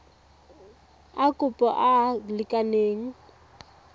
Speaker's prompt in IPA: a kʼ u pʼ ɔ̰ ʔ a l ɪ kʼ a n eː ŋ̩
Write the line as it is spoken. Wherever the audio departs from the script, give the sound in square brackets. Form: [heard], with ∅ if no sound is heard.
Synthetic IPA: a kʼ [ʊ] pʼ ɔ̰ ʔ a l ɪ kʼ a n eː ŋ̩